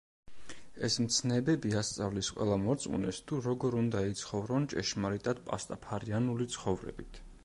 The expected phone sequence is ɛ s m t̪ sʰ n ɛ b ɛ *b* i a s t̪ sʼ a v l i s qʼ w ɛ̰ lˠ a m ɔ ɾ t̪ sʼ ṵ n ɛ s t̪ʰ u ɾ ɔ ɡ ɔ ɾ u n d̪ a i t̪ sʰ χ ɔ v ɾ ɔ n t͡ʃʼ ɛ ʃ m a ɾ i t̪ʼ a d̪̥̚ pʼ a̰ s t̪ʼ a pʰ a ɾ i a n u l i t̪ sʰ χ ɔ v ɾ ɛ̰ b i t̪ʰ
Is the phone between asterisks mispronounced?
no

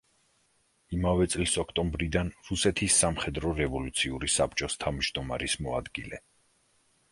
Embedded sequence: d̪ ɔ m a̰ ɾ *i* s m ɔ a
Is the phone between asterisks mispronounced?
no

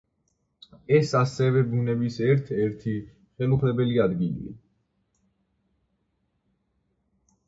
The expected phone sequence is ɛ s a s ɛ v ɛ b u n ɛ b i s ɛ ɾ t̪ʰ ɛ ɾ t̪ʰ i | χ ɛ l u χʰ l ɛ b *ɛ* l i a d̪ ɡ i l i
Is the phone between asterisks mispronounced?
no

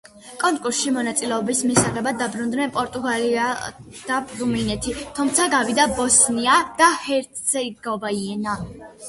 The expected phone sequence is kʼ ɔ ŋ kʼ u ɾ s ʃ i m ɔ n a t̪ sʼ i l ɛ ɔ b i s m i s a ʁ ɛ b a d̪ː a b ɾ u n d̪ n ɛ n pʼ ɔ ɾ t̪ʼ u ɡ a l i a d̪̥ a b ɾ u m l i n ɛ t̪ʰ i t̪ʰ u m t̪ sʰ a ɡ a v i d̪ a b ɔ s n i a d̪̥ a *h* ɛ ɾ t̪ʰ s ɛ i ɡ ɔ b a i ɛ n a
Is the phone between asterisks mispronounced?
no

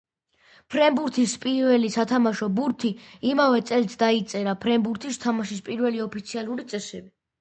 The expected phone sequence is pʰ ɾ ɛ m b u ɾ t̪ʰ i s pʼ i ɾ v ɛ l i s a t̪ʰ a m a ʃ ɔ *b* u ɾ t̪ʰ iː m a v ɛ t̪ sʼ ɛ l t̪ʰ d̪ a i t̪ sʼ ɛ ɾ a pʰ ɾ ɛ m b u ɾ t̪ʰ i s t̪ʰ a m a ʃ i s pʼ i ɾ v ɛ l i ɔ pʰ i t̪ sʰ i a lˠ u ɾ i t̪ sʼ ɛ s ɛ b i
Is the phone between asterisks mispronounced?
no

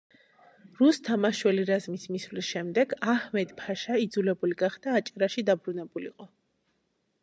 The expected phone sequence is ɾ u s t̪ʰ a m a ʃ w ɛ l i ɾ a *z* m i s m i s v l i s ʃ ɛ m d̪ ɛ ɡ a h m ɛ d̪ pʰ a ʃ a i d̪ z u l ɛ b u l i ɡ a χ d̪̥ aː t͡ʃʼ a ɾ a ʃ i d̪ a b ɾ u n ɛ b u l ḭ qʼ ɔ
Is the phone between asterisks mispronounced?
no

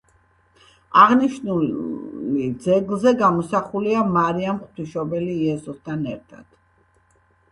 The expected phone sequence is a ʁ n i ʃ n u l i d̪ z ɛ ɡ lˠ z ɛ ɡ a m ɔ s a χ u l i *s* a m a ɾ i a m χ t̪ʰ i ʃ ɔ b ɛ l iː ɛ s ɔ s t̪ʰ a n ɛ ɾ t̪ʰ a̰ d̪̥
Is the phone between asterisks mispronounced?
yes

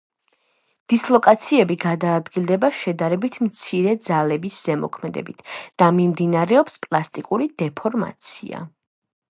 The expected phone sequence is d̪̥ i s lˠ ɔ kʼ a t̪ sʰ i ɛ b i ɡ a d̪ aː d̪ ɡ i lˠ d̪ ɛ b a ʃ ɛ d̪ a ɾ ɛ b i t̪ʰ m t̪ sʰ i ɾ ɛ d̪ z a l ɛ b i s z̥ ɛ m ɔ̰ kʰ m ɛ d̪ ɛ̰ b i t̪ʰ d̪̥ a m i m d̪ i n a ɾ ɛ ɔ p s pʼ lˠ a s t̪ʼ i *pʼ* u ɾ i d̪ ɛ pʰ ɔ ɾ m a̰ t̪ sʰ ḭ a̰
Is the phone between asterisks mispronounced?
yes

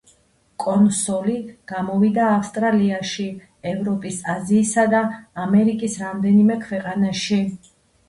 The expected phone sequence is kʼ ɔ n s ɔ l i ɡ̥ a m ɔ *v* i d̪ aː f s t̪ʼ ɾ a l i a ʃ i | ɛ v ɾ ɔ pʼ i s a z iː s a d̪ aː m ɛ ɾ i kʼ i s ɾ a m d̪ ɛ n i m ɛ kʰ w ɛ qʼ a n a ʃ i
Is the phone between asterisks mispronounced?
no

